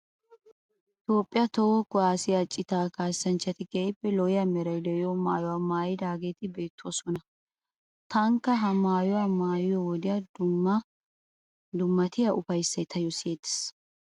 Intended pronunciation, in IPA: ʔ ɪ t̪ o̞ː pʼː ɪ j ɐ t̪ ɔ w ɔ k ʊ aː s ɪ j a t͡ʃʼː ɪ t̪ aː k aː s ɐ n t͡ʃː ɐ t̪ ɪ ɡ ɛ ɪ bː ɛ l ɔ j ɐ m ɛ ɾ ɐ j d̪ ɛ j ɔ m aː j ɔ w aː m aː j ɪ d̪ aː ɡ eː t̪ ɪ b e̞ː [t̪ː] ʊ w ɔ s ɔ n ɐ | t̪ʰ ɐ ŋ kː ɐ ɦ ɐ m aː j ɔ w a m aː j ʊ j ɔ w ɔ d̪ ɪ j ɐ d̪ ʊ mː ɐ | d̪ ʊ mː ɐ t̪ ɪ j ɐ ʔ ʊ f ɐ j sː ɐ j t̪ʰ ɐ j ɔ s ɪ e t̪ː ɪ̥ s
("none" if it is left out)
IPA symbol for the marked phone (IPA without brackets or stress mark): t̪ː